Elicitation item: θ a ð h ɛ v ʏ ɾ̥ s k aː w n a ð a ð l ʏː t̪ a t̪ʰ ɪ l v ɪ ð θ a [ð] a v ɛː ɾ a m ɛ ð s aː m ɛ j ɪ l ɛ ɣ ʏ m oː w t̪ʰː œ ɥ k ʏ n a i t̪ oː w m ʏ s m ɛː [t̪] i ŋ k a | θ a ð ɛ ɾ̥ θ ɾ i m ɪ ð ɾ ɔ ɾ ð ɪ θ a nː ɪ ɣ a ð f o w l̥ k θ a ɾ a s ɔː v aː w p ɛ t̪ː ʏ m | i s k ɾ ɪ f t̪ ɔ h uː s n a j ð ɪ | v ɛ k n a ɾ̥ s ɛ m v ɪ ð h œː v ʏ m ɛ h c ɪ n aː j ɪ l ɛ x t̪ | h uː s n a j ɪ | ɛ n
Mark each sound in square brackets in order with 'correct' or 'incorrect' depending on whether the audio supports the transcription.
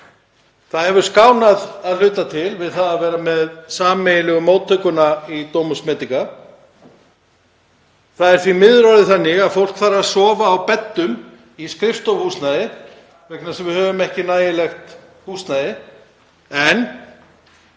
correct, correct

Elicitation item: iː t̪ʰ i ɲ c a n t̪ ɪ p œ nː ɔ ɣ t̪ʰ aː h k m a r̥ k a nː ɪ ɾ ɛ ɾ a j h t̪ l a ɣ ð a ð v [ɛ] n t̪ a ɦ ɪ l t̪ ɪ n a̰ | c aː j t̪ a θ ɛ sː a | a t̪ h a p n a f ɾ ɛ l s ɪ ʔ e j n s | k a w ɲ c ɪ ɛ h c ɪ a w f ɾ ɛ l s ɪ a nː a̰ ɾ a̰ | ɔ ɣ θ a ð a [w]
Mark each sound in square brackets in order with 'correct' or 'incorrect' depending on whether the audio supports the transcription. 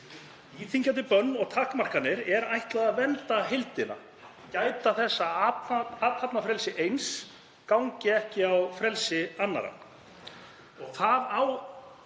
correct, correct

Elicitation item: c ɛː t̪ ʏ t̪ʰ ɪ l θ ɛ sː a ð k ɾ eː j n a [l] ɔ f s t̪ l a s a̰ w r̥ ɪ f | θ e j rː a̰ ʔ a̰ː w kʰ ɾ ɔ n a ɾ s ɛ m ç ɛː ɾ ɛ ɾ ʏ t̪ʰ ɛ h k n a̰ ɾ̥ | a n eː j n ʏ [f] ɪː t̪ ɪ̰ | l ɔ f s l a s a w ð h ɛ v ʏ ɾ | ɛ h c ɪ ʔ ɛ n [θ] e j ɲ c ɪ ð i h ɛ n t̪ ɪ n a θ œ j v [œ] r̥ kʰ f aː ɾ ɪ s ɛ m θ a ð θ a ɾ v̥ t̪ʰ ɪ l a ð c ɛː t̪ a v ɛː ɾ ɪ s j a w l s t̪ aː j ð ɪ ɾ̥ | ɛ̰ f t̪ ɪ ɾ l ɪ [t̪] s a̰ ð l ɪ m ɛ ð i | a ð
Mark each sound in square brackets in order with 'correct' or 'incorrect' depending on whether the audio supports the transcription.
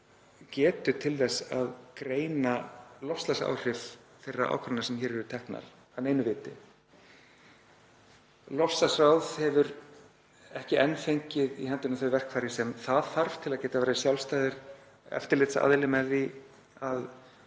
correct, incorrect: v, incorrect: f, incorrect: ɛ, correct

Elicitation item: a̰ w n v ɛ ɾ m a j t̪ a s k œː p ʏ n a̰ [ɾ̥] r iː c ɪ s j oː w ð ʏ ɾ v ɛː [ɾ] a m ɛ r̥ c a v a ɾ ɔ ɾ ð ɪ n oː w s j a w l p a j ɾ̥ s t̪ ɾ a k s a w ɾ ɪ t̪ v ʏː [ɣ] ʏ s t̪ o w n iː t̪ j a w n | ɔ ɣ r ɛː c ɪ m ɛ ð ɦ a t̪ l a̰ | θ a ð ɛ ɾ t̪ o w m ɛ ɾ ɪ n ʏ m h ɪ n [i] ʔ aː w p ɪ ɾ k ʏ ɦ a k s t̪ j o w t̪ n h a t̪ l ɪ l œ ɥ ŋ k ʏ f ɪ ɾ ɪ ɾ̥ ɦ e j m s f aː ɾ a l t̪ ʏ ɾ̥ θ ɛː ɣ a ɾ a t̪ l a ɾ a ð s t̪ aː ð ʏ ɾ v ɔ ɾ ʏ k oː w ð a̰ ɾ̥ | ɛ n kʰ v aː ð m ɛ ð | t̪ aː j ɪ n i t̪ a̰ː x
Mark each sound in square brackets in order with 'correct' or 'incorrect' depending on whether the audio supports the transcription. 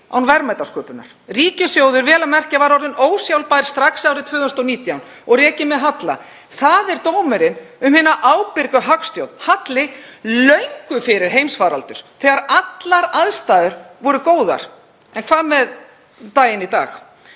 correct, incorrect: l, incorrect: ð, incorrect: a

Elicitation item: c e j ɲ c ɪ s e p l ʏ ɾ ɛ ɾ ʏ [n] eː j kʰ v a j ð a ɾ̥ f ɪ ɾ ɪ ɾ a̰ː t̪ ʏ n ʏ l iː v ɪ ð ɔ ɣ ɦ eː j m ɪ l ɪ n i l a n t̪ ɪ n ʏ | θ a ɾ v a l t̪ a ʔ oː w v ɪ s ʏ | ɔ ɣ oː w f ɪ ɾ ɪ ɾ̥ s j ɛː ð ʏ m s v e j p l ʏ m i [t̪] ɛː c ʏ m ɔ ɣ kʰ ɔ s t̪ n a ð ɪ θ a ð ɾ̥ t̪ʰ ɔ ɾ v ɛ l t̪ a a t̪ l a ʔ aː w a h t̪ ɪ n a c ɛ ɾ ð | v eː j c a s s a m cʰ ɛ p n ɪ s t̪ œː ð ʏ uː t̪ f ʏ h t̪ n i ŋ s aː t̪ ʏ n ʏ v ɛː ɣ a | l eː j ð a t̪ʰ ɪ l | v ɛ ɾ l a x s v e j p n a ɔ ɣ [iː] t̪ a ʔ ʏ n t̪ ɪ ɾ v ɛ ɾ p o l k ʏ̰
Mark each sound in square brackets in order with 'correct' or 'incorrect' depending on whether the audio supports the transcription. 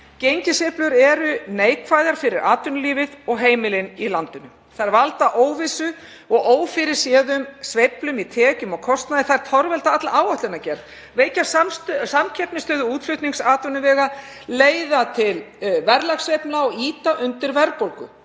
correct, incorrect: t̪ʰ, correct

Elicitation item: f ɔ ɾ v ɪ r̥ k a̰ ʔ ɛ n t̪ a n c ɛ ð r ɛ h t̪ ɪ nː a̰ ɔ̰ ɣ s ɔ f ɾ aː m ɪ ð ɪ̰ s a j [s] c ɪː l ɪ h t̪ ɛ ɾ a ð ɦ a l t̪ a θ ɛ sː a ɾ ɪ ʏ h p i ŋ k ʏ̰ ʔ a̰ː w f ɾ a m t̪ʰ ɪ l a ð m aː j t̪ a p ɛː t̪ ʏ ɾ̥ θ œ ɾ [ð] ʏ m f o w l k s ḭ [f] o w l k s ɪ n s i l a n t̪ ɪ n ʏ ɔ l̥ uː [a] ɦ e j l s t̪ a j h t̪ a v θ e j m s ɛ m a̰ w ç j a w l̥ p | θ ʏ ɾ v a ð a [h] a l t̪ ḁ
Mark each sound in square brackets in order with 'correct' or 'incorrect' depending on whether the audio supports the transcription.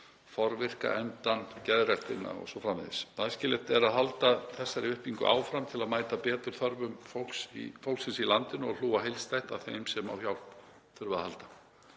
correct, incorrect: v, correct, correct, correct

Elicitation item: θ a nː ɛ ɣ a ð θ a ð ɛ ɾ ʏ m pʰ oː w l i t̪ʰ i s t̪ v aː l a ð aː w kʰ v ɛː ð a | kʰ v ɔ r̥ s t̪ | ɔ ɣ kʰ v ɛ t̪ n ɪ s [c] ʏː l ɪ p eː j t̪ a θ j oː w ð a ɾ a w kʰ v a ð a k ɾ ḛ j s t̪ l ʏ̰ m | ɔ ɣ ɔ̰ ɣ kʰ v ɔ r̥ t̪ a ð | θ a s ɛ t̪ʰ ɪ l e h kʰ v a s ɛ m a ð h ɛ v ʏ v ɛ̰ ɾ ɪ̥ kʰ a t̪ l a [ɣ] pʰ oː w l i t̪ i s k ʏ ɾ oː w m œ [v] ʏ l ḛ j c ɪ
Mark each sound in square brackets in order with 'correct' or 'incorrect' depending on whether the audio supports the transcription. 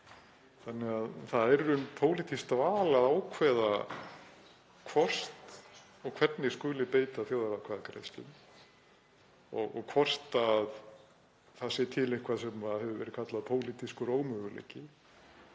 incorrect: k, incorrect: ð, incorrect: ɣ

